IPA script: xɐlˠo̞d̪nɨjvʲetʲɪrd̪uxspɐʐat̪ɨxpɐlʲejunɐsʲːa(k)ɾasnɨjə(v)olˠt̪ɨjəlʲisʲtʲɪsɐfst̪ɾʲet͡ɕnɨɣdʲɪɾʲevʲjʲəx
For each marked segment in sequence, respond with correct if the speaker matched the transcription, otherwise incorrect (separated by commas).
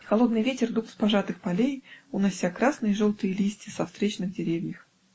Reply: correct, incorrect